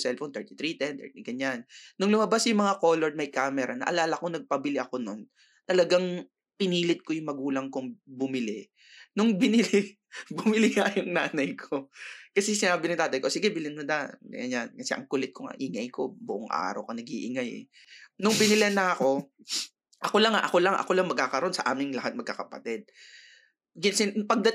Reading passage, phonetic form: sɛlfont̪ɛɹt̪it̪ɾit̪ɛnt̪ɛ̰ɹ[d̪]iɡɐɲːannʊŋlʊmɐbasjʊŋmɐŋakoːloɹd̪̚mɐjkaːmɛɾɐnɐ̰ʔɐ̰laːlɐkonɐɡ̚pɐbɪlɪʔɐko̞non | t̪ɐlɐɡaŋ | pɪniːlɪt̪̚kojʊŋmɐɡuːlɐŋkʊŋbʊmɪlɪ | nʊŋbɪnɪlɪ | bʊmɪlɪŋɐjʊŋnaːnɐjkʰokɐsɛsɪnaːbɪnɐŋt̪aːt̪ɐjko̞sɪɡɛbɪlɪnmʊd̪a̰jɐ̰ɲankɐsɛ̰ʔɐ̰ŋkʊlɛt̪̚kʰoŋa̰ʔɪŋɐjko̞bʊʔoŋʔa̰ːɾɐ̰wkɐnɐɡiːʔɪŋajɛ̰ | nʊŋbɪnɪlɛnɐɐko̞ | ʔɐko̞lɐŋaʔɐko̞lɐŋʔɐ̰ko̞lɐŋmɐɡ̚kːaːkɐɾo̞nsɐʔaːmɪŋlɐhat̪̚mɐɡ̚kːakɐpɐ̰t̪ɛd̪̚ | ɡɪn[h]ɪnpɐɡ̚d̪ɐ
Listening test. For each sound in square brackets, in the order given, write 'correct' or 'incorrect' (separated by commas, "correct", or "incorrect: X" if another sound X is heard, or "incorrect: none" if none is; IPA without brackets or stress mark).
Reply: incorrect: t̪, incorrect: s